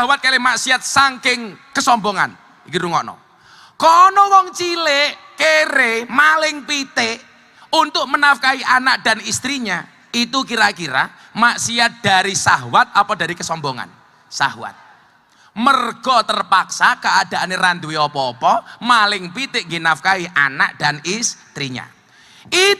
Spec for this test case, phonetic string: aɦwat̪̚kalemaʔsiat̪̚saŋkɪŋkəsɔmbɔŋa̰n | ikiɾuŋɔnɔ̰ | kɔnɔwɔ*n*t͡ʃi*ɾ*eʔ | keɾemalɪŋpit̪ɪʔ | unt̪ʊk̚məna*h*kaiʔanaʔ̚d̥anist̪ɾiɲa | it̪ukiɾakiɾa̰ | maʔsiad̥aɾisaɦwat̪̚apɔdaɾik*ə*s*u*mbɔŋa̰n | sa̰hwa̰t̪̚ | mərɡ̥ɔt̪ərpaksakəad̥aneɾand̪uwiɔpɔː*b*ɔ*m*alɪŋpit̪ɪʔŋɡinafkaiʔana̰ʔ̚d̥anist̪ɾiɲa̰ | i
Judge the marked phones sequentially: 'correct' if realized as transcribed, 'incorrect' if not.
incorrect, incorrect, incorrect, correct, incorrect, incorrect, correct

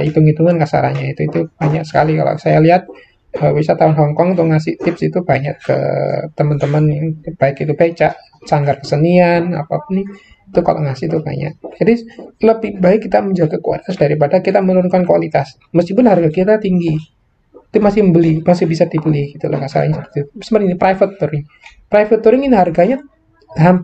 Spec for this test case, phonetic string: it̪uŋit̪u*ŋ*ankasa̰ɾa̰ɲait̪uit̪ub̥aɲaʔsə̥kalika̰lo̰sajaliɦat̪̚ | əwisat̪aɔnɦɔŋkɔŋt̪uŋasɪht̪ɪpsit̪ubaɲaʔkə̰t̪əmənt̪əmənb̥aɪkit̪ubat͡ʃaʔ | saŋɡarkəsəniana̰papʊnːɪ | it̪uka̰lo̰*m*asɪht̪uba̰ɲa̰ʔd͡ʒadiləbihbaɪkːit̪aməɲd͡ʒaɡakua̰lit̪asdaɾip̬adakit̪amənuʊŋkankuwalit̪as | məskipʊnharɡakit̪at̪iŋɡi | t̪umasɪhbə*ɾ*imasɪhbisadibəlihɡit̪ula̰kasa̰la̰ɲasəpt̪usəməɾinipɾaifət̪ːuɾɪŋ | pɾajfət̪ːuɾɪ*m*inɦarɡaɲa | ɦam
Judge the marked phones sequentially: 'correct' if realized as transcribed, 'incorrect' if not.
correct, incorrect, incorrect, incorrect

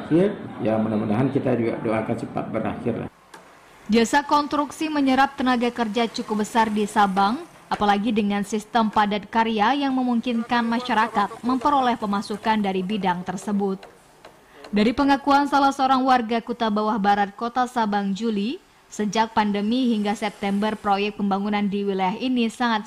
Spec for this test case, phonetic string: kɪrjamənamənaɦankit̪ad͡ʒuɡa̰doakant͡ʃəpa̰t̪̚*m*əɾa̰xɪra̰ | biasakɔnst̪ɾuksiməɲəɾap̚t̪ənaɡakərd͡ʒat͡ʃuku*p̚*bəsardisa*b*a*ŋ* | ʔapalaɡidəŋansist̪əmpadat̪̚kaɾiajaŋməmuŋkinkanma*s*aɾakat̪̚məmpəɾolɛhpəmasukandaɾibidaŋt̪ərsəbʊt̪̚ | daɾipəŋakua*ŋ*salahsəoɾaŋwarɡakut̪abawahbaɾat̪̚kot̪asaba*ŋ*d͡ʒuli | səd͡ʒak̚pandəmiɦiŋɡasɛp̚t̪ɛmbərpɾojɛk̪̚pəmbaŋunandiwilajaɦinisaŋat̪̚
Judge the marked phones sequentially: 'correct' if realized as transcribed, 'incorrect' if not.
incorrect, correct, correct, correct, incorrect, incorrect, correct

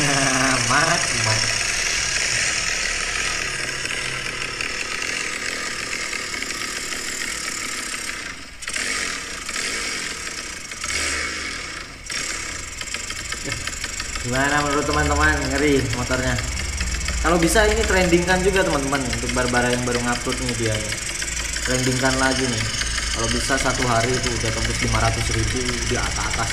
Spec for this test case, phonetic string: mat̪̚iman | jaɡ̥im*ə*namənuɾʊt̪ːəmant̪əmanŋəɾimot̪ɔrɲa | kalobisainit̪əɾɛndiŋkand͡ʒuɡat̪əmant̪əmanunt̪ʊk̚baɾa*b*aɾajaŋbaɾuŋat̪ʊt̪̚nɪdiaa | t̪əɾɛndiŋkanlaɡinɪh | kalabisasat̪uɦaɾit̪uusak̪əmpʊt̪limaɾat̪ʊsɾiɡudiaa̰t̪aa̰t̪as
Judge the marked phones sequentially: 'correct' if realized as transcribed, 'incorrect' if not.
incorrect, correct

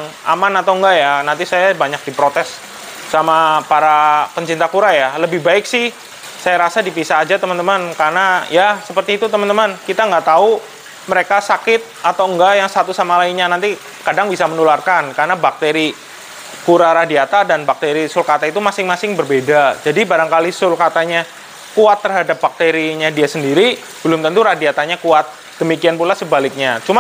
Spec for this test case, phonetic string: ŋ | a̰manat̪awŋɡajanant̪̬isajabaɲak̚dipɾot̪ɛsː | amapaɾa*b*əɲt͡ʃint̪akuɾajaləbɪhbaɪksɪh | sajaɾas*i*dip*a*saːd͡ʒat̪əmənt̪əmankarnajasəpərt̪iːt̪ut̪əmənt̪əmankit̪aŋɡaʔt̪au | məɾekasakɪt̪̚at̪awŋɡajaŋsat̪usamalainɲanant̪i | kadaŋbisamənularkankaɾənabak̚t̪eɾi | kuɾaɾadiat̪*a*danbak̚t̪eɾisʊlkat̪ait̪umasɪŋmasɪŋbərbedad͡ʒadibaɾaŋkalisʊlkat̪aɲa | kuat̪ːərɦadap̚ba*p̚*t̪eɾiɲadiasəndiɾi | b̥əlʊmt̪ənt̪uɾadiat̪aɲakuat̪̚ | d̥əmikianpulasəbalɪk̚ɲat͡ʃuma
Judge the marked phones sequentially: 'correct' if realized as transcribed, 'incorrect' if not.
incorrect, incorrect, incorrect, correct, incorrect

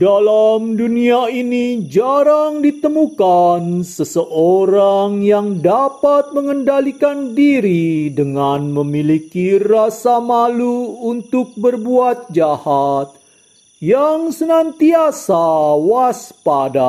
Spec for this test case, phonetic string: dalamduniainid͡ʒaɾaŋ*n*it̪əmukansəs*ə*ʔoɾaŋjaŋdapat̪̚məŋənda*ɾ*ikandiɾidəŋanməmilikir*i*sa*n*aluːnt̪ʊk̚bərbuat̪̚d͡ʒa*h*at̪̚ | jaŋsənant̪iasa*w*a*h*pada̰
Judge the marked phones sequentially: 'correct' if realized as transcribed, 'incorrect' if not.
incorrect, correct, incorrect, incorrect, incorrect, correct, correct, incorrect

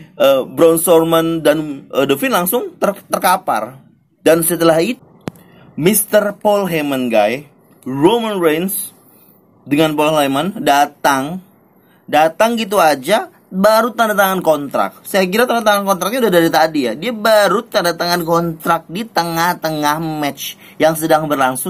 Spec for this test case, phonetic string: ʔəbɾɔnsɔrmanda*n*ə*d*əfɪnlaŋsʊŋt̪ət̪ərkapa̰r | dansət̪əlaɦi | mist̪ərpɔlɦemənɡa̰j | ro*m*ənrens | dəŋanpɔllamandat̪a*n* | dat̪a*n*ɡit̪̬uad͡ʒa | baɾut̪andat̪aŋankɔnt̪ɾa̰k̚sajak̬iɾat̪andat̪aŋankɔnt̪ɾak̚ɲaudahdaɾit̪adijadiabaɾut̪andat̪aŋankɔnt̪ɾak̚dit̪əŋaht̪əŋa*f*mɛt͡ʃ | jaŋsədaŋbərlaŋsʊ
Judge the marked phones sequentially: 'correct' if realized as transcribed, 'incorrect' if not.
correct, correct, correct, incorrect, incorrect, incorrect

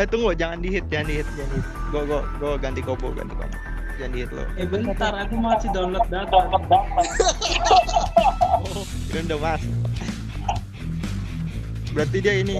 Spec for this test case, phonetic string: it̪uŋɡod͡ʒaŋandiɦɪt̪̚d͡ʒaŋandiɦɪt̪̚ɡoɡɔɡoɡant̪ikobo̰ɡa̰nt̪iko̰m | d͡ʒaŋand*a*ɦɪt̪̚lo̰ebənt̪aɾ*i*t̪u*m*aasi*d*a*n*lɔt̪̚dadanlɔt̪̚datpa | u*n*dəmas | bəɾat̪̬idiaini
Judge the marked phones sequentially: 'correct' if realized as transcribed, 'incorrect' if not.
incorrect, incorrect, correct, correct, correct, correct

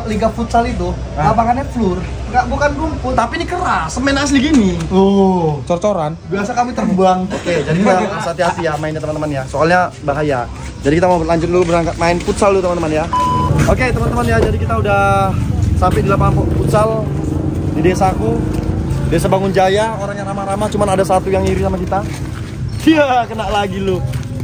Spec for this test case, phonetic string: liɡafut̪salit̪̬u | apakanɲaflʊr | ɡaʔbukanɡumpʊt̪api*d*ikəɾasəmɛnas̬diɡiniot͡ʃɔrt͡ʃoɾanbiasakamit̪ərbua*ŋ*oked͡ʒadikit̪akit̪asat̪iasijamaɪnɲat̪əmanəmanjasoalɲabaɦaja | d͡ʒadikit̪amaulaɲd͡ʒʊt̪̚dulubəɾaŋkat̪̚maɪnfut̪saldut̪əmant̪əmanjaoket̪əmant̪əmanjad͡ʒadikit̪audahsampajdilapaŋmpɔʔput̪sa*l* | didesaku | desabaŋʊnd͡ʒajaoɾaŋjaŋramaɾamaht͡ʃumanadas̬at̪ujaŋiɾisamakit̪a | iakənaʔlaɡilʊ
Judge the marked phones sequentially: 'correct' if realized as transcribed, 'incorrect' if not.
incorrect, correct, correct

